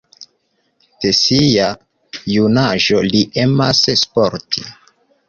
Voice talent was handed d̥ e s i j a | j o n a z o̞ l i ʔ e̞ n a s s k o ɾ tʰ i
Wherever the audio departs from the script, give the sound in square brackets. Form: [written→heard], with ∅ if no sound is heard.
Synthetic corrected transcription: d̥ e s i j a | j [o→u] n a [z→ʒ] o̞ l i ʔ e̞ [n→m] a s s [k→p] o ɾ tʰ i